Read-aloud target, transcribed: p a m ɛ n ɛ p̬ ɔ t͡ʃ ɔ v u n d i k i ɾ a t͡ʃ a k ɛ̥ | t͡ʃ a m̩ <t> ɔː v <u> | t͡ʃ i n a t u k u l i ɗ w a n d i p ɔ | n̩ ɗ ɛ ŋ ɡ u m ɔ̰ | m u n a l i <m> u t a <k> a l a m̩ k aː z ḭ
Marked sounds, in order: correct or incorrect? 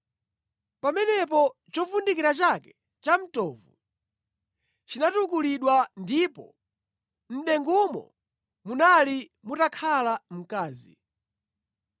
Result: correct, correct, correct, incorrect

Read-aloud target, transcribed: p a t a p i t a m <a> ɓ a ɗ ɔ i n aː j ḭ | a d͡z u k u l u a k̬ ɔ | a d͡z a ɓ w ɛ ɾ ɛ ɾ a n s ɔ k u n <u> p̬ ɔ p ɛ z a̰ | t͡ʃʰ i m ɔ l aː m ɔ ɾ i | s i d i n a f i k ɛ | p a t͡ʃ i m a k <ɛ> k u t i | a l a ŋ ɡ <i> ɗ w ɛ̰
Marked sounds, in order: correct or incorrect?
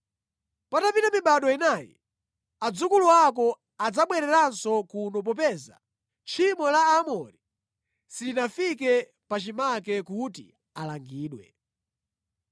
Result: incorrect, incorrect, correct, incorrect

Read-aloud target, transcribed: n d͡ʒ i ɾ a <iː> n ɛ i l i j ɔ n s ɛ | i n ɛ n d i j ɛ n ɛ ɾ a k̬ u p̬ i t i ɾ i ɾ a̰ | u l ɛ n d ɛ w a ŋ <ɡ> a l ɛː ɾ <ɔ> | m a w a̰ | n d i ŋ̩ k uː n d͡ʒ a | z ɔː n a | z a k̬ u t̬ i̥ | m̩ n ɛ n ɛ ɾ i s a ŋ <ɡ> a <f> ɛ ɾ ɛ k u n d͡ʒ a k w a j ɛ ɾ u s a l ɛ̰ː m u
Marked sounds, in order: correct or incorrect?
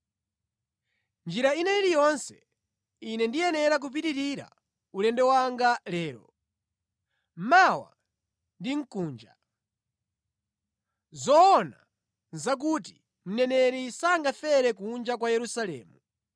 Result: incorrect, correct, correct, correct, correct

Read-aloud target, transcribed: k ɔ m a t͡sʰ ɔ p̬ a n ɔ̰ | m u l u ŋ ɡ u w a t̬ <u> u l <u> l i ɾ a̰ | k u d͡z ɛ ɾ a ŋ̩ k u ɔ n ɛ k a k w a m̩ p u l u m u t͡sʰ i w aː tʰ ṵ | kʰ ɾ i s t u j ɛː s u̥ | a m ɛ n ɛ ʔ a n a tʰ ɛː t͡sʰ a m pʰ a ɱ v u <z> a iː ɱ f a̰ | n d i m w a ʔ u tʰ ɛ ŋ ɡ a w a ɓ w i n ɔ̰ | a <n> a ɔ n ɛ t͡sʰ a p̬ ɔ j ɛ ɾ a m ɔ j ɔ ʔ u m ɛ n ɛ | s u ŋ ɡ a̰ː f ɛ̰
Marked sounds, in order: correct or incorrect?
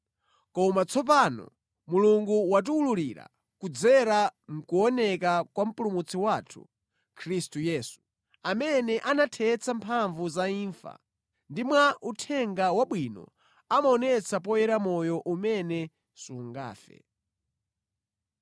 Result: correct, correct, correct, incorrect

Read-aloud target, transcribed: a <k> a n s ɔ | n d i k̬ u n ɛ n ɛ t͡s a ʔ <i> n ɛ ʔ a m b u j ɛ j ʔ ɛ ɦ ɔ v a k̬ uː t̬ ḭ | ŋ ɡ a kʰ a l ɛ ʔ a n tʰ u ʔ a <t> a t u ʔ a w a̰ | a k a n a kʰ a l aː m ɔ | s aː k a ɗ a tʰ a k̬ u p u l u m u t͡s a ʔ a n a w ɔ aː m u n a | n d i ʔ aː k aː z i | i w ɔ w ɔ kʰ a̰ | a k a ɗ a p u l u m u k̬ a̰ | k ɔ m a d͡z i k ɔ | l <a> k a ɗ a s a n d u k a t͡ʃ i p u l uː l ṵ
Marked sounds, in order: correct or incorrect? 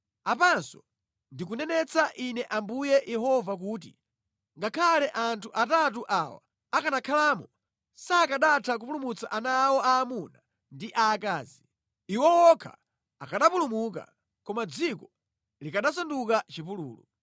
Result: incorrect, correct, correct, incorrect

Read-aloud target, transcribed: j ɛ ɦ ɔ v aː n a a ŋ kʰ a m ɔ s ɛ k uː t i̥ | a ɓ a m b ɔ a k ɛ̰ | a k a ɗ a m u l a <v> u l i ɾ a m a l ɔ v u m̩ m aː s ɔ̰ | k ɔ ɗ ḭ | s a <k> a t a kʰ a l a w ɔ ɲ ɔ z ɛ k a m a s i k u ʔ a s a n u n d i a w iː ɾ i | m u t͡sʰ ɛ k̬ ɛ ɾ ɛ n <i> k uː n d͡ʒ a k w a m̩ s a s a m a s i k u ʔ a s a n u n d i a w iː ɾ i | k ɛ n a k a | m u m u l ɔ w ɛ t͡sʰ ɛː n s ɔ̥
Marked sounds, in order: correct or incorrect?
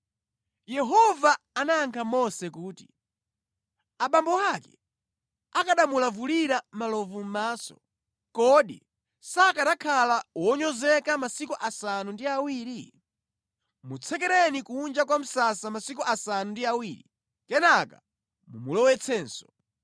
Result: correct, correct, correct

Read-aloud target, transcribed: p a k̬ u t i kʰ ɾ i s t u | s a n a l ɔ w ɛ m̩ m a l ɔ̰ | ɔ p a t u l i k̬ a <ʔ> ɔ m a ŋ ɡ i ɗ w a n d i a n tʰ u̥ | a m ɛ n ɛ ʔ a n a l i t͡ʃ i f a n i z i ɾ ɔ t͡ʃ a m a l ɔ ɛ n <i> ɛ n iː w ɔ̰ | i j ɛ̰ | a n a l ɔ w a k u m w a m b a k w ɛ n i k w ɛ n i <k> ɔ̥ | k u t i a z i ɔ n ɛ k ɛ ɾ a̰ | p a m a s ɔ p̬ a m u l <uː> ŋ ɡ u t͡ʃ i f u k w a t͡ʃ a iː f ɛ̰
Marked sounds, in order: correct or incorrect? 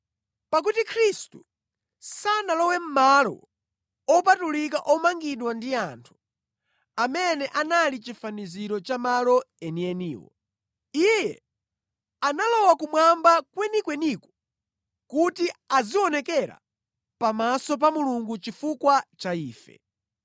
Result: correct, correct, correct, incorrect

